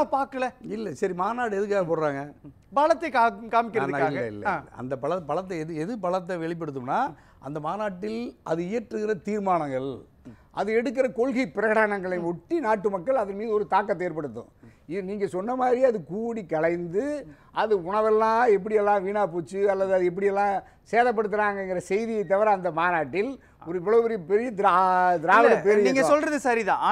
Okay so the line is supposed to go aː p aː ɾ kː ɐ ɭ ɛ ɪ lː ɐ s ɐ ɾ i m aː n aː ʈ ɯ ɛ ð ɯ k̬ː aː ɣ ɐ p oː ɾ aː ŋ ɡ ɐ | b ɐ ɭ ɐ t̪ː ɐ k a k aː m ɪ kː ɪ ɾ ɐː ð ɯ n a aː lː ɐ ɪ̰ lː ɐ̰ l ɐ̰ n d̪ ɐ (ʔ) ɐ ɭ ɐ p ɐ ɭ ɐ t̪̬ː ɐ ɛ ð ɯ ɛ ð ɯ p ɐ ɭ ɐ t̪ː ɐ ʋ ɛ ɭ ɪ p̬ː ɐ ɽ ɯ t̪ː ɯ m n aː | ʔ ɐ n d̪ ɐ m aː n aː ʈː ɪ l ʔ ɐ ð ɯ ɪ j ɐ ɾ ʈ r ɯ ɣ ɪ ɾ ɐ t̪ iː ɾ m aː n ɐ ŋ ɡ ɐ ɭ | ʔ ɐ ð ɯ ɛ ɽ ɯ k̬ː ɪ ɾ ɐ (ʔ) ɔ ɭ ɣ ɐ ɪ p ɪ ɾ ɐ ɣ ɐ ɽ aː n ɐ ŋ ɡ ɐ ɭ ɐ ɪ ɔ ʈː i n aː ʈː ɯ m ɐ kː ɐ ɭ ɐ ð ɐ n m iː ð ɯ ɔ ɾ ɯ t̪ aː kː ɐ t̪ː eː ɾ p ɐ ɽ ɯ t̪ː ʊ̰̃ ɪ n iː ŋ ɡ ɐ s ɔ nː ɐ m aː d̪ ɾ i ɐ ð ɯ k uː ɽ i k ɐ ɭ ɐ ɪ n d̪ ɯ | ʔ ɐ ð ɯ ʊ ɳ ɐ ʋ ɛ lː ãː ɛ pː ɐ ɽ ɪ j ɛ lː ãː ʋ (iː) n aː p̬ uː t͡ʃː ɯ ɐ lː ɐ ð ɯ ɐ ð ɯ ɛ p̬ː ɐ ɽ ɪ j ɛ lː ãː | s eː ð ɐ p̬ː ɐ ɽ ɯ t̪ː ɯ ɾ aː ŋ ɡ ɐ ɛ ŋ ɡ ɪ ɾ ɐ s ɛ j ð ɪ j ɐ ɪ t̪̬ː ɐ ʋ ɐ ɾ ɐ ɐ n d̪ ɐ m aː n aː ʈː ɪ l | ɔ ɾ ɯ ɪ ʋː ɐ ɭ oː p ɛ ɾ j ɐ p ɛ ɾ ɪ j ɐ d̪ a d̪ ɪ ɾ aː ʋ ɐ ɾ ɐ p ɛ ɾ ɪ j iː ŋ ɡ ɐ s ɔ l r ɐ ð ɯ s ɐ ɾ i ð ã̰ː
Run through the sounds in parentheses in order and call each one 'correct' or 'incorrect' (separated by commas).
incorrect, incorrect, correct